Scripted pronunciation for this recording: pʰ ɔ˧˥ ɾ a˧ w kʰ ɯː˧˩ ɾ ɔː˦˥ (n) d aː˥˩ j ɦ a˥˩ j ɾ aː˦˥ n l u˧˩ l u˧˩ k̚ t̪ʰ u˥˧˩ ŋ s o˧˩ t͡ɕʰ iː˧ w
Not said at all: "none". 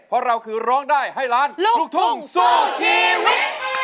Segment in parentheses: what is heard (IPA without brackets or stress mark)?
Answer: ŋ